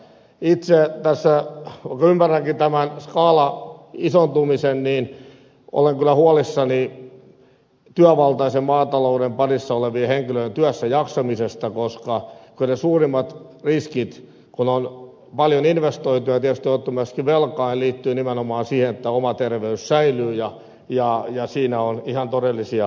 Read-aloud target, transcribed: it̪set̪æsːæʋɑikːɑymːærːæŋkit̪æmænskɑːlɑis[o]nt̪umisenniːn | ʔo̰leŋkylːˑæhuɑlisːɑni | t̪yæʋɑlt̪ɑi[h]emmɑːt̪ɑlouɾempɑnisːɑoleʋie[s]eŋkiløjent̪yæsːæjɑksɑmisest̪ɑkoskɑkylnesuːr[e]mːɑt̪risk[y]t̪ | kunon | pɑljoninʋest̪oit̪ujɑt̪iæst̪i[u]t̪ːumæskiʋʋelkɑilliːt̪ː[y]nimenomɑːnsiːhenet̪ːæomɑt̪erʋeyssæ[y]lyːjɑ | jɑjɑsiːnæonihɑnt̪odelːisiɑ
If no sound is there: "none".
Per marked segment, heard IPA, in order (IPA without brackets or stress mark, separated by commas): o, s, h, i, i, o, yː, i